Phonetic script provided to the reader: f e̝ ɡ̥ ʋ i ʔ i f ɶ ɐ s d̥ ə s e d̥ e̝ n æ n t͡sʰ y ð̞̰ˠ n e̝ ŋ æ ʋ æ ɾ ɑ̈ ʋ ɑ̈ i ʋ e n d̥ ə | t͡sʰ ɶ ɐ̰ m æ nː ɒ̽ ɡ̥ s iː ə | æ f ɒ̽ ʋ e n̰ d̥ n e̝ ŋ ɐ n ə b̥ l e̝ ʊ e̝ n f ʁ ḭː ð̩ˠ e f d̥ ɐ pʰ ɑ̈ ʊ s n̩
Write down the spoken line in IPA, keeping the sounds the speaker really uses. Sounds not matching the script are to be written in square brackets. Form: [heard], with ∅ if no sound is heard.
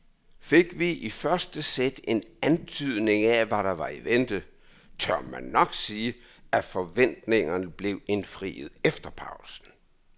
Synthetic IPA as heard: f e̝ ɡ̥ ʋ i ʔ i f ɶ ɐ s d̥ ə s e d̥ e̝ n æ n t͡sʰ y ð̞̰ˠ n e̝ ŋ æ ʋ æ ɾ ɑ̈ ʋ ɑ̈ i ʋ e n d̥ ə | t͡sʰ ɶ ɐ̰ m æ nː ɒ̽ ɡ̥ s iː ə | æ f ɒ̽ ʋ e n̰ d̥ n e̝ ŋ ɐ n ə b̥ l e̝ ʊ e̝ n f ʁ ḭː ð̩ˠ e f d̥ ɐ pʰ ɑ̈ ʊ s n̩

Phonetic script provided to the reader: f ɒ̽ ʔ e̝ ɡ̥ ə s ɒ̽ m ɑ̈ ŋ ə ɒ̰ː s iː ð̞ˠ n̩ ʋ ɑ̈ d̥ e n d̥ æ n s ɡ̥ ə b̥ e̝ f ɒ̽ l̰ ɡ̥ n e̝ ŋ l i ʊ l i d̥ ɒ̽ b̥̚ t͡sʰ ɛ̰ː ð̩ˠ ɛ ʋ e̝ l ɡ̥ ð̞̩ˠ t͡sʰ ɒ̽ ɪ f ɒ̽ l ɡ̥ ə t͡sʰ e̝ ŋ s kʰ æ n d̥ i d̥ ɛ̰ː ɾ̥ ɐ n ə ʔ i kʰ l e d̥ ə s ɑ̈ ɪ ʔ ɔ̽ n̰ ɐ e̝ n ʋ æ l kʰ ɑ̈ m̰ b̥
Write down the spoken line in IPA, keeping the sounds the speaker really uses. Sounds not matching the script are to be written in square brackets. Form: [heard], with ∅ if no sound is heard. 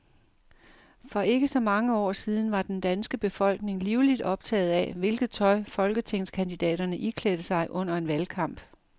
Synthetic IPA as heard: f ɒ̽ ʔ e̝ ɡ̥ ə s ɒ̽ m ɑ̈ ŋ ə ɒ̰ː s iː ð̞ˠ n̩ ʋ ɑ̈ d̥ e n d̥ æ n s ɡ̥ ə b̥ e̝ f ɒ̽ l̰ ɡ̥ n e̝ ŋ l i ʊ l i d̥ ɒ̽ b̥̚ t͡sʰ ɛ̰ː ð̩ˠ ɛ ʋ e̝ l ɡ̥ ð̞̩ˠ t͡sʰ ɒ̽ ɪ f ɒ̽ l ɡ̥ ə t͡sʰ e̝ ŋ s kʰ æ n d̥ i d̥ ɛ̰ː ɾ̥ ɐ n ə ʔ i kʰ l e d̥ ə s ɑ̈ ɪ ʔ ɔ̽ n̰ ɐ e̝ n ʋ æ l kʰ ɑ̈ m̰ b̥

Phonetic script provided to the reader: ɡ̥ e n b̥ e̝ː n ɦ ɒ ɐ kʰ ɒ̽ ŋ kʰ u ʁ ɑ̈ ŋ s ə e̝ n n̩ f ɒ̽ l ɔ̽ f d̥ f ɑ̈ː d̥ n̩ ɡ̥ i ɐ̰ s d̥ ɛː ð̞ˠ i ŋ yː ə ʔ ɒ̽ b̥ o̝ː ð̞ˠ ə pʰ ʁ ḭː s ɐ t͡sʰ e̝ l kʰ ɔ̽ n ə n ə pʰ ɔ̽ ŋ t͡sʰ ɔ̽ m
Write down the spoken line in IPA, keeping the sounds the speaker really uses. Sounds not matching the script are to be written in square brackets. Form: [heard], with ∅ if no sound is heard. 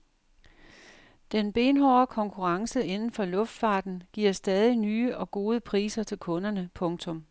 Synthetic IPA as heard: [d̥] e n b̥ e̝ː n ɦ ɒ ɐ kʰ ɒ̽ ŋ kʰ u ʁ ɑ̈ ŋ s ə e̝ n n̩ f ɒ̽ l ɔ̽ f d̥ f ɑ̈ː d̥ n̩ ɡ̥ i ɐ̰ s d̥ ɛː ð̞ˠ i [n] yː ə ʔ ɒ̽ [ɡ̥] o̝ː ð̞ˠ ə pʰ ʁ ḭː s ɐ t͡sʰ e̝ l kʰ ɔ̽ n [ɐ] n ə pʰ ɔ̽ ŋ t͡sʰ ɔ̽ m

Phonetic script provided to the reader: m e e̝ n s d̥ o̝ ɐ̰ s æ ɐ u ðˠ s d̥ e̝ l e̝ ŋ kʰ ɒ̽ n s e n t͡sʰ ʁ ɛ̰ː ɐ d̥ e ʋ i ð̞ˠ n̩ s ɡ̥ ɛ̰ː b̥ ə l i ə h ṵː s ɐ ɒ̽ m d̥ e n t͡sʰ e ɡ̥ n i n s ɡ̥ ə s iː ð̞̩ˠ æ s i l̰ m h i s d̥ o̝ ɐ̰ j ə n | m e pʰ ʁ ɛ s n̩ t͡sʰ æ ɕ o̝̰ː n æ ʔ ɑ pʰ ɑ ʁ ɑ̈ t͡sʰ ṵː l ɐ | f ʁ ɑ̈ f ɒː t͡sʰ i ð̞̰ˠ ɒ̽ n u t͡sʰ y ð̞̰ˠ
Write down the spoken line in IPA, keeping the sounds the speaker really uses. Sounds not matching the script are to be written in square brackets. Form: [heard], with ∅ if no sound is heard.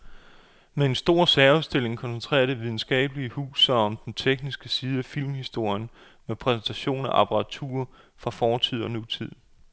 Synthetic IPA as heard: m e e̝ n s d̥ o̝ ɐ̰ s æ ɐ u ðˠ s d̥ e̝ l e̝ ŋ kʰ ɒ̽ n s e n t͡sʰ ʁ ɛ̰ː ɐ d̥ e ʋ i ð̞ˠ n̩ s ɡ̥ ɛ̰ː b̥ ə l i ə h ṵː s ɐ ɒ̽ m d̥ e n t͡sʰ e ɡ̥ n i [∅] s ɡ̥ ə s iː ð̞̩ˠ æ [f] i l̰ m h i s d̥ o̝ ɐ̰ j ə n | m e pʰ ʁ ɛ s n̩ t͡sʰ æ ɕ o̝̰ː n æ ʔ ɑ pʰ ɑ ʁ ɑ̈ t͡sʰ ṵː [∅] ɐ | f ʁ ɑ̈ f ɒː t͡sʰ i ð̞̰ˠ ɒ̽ n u t͡sʰ [i] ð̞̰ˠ

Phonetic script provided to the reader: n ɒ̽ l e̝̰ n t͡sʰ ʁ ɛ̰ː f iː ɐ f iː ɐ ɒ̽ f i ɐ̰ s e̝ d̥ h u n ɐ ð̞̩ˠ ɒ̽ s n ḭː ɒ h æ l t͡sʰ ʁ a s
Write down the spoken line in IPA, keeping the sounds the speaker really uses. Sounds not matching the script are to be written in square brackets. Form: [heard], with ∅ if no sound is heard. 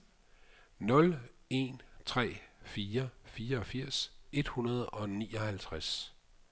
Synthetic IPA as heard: n [ɔ̽] l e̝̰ n t͡sʰ ʁ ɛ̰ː f iː ɐ f iː ɐ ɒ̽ f i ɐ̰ s e̝ d̥ h u n ɐ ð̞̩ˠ ɒ̽ [∅] n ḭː ɒ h æ l t͡sʰ ʁ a s

